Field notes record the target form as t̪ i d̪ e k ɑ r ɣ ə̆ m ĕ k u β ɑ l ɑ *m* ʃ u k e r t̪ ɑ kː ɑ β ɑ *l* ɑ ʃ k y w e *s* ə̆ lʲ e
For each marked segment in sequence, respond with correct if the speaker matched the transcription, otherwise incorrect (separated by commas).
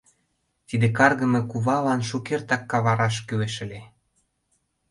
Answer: incorrect, incorrect, incorrect